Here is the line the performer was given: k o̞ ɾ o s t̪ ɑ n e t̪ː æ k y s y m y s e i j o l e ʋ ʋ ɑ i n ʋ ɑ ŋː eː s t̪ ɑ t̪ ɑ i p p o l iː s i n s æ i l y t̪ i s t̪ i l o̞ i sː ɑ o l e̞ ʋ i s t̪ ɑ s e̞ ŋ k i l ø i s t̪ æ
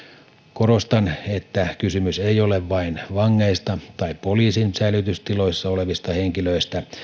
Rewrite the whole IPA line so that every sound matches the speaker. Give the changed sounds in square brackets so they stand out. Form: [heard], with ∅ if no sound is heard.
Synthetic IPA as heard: k o̞ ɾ o s t̪ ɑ n e t̪ː æ k y s y m y s e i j o l e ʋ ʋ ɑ i n ʋ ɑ ŋː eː s t̪ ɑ t̪ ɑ i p p o l iː s i n s æ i l y t̪ [y] s t̪ i l o̞ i sː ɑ o l e̞ ʋ i s t̪ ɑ [h] e̞ ŋ k i l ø i s t̪ æ